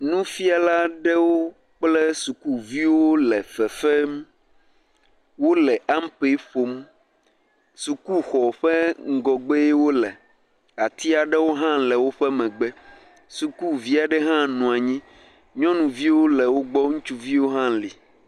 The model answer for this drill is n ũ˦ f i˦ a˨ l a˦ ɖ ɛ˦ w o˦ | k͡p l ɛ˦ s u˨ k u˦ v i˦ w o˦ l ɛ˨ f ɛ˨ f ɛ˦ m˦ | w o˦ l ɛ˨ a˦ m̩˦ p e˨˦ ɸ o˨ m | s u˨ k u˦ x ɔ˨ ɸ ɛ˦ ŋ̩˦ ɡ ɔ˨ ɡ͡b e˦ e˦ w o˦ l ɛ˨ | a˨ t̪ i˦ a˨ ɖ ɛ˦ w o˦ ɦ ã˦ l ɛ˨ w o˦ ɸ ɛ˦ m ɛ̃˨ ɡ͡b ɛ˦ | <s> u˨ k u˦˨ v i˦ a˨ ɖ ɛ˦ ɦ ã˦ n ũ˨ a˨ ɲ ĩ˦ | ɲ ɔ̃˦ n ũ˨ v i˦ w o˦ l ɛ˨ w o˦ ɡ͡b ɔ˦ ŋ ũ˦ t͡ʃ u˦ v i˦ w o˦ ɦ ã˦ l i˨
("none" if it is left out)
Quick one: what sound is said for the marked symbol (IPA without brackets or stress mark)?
s